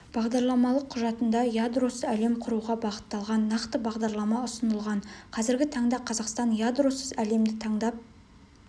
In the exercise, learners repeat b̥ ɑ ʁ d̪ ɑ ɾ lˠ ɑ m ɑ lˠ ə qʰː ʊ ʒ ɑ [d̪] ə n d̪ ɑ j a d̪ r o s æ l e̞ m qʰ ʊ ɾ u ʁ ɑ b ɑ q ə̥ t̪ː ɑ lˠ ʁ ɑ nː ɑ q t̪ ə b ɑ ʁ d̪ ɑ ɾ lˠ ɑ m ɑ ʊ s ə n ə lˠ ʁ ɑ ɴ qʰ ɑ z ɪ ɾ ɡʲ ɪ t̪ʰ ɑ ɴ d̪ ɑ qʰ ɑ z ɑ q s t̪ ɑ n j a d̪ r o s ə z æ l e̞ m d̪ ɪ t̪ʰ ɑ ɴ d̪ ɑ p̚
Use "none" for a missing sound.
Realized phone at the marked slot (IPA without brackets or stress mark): t̪